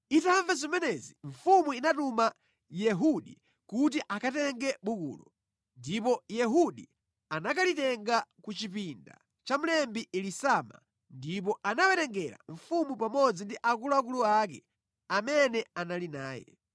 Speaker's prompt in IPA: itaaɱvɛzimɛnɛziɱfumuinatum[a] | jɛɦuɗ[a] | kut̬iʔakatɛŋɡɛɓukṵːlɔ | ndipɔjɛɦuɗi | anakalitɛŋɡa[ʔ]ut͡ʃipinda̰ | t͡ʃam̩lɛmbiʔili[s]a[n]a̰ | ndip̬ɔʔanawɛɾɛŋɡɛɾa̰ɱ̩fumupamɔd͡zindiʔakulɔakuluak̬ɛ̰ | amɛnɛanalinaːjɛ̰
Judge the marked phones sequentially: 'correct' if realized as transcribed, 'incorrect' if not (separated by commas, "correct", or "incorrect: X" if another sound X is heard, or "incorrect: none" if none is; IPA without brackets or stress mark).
correct, incorrect: i, incorrect: k, correct, incorrect: m